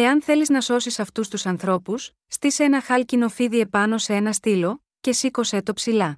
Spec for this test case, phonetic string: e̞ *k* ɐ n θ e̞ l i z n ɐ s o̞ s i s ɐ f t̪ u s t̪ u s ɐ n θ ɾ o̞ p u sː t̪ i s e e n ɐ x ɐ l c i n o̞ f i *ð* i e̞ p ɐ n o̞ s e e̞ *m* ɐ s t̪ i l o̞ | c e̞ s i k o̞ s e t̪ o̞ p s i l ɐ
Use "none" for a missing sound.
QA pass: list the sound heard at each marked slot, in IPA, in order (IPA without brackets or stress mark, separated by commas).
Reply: none, ð, n